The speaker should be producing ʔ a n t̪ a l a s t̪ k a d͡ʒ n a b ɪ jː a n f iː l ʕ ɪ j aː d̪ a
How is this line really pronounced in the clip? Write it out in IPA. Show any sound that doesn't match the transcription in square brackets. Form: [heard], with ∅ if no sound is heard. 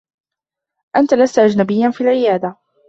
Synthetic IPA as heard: ʔ a n t̪ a l a s t̪ [ʔ] a d͡ʒ n a b ɪ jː a n f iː l ʕ ɪ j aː d̪ a